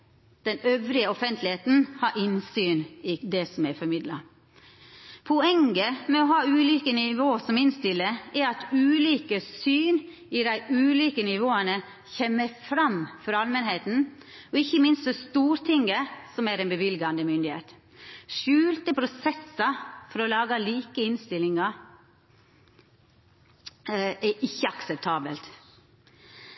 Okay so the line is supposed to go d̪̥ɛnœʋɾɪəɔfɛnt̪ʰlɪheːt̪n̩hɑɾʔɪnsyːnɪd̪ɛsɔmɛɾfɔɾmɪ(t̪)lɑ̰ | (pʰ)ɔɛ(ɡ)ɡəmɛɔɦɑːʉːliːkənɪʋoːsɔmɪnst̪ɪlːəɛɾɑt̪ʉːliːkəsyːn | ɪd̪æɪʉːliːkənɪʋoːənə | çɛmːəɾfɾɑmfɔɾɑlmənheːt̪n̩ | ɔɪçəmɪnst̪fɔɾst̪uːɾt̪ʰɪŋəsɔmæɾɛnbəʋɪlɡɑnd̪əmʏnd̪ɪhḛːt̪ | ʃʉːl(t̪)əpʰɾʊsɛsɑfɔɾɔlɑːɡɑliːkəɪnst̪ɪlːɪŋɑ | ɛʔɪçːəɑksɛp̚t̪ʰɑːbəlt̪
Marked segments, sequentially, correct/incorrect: incorrect, correct, incorrect, correct

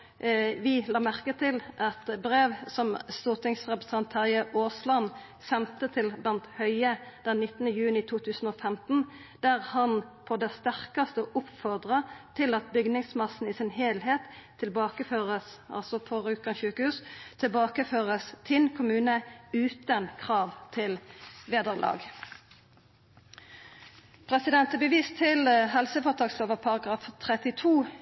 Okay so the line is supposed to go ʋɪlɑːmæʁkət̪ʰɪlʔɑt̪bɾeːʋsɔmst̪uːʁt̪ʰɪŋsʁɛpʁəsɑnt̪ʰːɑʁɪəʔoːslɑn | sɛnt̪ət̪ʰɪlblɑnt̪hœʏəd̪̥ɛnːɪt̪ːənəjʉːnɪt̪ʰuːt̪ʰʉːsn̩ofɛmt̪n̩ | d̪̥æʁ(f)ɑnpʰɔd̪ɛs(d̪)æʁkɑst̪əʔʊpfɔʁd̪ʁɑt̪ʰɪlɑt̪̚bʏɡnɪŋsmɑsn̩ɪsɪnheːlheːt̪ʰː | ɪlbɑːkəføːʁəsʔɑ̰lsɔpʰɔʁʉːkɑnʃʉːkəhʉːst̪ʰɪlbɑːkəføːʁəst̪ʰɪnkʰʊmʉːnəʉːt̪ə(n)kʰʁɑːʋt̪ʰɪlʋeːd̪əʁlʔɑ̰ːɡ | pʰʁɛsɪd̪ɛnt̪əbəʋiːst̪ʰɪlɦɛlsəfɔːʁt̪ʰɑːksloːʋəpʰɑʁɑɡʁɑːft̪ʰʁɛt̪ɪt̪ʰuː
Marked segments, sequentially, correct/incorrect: incorrect, incorrect, correct

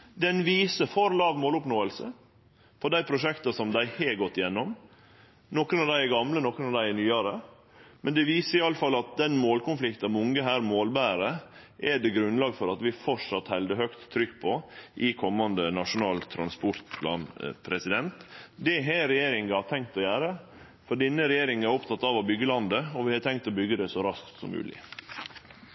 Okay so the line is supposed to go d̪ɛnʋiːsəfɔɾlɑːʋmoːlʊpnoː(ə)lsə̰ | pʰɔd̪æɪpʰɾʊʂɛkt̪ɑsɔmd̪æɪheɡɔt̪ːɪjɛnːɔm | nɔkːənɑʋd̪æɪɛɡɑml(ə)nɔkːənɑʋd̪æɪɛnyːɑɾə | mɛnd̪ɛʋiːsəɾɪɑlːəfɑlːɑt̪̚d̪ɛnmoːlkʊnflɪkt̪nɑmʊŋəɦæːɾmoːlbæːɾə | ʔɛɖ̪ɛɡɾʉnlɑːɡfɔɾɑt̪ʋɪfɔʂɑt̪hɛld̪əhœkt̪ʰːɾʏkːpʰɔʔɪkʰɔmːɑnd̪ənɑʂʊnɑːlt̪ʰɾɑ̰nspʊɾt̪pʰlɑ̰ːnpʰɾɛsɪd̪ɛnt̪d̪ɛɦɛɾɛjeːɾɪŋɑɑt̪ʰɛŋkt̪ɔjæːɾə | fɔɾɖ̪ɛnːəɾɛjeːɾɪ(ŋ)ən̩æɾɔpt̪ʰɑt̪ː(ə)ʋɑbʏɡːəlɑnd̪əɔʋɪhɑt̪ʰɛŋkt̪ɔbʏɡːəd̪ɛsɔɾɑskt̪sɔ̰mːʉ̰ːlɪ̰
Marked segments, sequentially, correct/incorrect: correct, correct, correct, incorrect

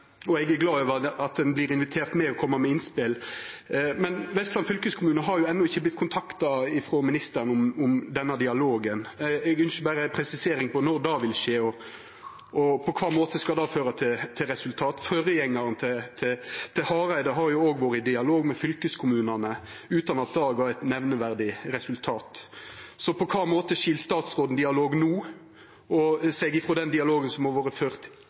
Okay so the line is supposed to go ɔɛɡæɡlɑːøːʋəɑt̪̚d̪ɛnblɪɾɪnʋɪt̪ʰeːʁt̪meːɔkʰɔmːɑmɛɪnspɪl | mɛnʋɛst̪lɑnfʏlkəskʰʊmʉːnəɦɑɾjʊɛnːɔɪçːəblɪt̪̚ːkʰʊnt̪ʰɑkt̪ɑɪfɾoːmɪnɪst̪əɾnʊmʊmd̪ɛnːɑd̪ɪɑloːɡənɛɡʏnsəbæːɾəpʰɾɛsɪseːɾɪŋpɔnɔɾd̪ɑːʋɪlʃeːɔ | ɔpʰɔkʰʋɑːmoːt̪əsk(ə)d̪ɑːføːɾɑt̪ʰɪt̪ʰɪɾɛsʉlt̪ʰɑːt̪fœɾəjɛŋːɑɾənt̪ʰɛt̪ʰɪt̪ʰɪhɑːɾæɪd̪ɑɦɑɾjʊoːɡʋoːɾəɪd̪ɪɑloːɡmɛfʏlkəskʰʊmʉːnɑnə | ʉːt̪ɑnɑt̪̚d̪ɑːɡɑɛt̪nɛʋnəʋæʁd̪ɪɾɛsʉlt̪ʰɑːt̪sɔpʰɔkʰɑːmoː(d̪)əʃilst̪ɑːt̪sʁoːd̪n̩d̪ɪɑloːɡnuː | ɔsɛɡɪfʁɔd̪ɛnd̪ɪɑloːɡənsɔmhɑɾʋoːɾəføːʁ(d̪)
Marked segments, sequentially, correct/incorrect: incorrect, incorrect, incorrect

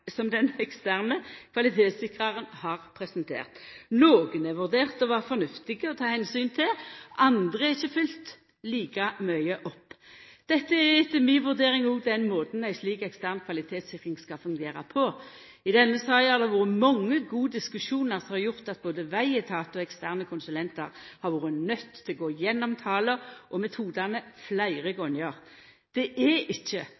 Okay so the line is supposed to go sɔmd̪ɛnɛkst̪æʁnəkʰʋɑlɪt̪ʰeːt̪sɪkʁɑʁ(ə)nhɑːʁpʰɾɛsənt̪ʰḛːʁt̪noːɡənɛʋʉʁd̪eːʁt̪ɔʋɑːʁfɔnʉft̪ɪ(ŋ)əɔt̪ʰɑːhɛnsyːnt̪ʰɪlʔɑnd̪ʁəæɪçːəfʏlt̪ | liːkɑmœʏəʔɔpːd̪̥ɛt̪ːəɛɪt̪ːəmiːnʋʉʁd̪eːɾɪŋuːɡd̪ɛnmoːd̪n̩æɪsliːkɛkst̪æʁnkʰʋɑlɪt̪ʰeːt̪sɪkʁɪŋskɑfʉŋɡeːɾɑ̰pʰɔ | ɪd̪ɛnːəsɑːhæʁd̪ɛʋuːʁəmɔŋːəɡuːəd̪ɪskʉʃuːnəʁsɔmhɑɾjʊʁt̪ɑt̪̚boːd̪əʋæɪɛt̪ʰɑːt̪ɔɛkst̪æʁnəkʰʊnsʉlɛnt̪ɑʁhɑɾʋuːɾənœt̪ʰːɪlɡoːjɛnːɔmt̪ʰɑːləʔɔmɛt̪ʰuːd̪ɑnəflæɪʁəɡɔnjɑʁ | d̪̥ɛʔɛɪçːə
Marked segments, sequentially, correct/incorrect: correct, incorrect

